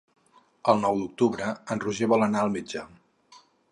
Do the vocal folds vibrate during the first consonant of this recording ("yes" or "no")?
yes